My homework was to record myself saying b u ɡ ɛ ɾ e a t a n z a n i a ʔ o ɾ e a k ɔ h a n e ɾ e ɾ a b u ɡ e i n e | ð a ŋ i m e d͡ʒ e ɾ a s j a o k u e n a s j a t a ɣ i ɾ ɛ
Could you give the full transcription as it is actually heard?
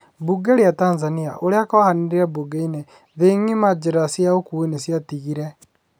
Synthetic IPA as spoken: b u ɡ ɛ ɾ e a t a n z a n i a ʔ o ɾ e a k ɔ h a n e ɾ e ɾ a b u ɡ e i n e | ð e ŋ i m a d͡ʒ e ɾ a s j a o k u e n e s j a t i ɣ i ɾ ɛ